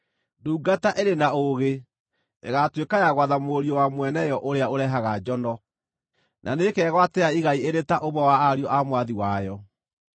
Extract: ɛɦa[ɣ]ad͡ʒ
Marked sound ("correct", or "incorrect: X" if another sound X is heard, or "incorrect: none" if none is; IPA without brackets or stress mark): correct